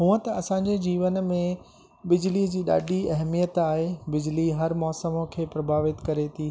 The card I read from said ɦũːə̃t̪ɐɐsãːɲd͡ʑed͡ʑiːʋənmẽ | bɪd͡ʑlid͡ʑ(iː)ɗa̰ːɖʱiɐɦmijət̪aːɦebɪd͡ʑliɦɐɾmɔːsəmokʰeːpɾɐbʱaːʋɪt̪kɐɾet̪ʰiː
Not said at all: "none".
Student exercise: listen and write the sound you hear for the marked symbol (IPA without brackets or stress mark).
iː